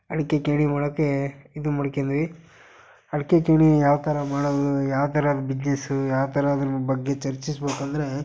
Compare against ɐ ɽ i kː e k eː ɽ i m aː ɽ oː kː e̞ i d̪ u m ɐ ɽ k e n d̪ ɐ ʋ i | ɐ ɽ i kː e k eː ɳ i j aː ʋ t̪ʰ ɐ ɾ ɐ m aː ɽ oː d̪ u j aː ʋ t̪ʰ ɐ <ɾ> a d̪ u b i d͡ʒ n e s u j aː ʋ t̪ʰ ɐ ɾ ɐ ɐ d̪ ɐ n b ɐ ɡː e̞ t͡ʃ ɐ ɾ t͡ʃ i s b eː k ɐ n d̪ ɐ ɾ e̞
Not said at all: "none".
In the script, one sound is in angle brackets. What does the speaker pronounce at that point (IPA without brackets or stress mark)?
ɾ